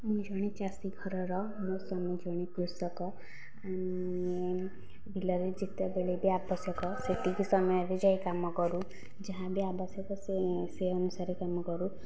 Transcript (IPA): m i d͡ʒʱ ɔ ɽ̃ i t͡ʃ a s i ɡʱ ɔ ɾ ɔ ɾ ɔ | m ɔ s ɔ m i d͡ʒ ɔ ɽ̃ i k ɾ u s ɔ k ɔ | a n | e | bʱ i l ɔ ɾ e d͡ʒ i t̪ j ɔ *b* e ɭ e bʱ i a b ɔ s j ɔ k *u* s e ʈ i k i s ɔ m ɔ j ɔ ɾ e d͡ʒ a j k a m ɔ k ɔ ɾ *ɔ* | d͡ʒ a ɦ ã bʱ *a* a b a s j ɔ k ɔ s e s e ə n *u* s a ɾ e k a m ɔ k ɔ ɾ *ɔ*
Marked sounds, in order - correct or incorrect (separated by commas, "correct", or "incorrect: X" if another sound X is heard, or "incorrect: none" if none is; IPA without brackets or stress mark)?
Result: correct, incorrect: ɔ, incorrect: u, incorrect: i, correct, incorrect: u